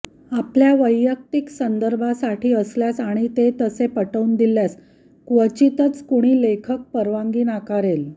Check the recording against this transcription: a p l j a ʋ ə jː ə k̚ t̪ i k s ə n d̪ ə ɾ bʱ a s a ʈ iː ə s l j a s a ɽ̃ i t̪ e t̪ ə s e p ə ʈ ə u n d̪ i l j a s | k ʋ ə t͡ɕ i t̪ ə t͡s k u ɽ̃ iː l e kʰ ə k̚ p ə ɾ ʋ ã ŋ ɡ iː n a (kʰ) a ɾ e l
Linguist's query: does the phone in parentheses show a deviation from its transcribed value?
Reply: yes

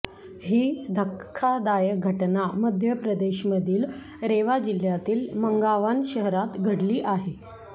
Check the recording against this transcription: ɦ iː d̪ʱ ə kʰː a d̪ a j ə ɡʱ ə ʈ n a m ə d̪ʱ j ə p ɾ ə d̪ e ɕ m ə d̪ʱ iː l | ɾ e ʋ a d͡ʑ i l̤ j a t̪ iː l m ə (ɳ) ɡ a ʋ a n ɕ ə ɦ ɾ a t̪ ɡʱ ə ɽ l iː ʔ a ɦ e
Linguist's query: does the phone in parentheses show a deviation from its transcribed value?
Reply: yes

